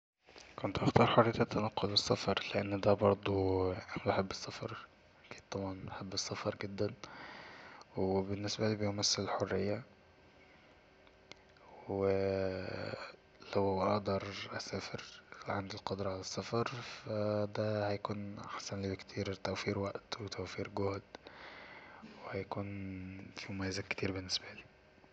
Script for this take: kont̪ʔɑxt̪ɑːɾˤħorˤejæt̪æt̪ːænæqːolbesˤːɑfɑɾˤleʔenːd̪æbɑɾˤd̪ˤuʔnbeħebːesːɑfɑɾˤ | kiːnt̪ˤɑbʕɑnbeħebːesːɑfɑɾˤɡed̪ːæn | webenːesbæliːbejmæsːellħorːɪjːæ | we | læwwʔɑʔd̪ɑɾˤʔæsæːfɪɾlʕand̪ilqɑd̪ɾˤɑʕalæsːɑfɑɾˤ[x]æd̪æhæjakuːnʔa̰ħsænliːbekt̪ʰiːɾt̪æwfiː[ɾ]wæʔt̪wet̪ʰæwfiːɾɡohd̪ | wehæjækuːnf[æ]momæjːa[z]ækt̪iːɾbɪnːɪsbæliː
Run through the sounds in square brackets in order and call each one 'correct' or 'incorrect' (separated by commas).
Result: incorrect, correct, incorrect, correct